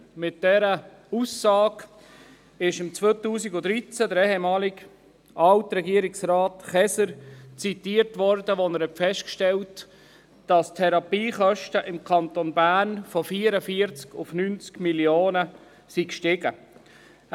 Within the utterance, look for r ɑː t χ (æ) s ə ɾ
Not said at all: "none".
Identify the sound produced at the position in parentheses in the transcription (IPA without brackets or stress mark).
ɛ